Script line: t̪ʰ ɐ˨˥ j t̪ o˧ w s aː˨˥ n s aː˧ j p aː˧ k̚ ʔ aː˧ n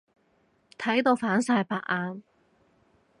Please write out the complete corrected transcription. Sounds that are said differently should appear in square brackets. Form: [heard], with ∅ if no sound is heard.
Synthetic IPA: t̪ʰ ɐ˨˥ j t̪ o˧ w [f] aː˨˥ n s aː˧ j p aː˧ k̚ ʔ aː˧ n